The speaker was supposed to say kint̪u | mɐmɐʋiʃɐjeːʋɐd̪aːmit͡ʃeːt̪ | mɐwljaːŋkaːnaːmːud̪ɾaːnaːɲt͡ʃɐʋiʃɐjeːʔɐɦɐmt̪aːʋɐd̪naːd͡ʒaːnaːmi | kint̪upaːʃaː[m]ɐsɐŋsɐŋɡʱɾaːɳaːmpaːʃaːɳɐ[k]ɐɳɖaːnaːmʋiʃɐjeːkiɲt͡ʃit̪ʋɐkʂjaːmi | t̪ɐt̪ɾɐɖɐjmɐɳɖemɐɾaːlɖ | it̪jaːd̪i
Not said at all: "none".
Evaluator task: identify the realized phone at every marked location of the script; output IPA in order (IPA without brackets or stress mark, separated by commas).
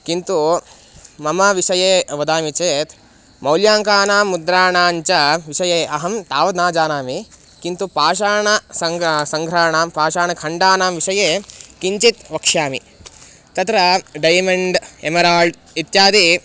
ɳ, kʰ